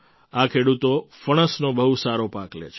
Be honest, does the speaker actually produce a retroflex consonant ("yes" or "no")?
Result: yes